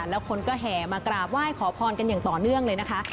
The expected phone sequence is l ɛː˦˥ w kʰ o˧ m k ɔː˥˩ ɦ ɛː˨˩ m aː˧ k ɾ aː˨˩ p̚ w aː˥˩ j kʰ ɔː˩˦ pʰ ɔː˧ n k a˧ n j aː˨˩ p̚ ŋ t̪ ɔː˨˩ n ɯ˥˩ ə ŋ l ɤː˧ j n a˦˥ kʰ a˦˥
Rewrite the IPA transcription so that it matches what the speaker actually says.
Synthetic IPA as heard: l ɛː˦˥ w kʰ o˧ n k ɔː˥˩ ɦ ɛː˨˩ m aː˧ k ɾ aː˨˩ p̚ w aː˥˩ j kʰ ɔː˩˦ pʰ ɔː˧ n k a˧ n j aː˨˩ ŋ t̪ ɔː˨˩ n ɯ˥˩ ə ŋ l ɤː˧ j n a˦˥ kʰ a˦˥